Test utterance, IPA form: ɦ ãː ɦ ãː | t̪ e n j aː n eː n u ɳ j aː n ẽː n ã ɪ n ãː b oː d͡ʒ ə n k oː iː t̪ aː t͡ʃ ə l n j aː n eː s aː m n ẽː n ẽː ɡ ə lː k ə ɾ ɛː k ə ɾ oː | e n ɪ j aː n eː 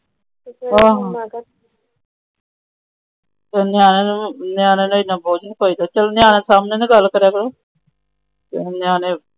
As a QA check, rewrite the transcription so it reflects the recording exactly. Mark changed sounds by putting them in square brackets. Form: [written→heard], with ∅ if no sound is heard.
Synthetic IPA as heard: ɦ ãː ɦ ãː | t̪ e n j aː n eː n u [ɳ→n] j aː n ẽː n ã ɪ n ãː b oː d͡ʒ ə n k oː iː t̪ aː t͡ʃ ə l n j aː n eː s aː m n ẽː n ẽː ɡ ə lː k ə ɾ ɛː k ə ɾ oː | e n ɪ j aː n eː